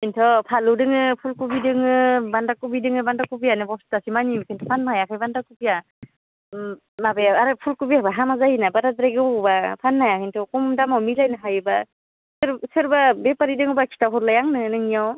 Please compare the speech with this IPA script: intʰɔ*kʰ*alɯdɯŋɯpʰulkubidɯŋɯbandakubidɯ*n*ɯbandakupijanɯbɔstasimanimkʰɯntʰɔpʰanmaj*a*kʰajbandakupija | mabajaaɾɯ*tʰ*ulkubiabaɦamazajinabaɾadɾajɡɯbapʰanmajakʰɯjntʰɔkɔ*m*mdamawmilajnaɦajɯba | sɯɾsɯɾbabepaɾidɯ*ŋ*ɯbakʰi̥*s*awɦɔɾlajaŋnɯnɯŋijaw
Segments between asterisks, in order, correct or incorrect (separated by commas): incorrect, incorrect, correct, incorrect, correct, correct, incorrect